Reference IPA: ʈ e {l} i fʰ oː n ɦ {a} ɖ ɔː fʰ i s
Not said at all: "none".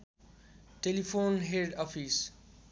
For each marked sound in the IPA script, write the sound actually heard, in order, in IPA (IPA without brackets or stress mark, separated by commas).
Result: l, e